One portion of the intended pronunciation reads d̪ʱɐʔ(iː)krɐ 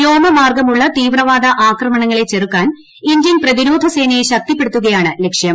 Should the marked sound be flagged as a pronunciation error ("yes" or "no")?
yes